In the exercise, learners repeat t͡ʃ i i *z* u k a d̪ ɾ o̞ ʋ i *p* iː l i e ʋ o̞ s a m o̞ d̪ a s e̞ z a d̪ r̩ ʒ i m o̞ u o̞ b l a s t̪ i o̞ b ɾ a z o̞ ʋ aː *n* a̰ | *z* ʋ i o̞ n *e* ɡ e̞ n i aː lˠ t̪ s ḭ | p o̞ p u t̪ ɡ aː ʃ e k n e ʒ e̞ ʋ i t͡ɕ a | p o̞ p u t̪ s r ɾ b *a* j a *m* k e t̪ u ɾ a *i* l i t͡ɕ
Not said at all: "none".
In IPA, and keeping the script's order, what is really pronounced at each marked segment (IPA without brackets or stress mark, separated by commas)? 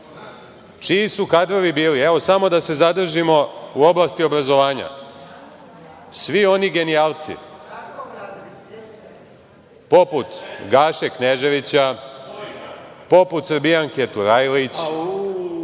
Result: s, b, ɲ, s, i, i, ŋ, j